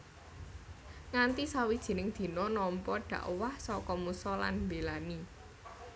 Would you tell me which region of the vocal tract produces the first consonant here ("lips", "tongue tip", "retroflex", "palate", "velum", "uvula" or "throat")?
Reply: velum